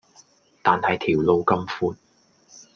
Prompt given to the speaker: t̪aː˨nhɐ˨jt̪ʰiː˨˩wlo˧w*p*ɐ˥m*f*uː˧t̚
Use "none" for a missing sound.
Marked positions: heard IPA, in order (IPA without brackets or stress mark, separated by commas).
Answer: k, f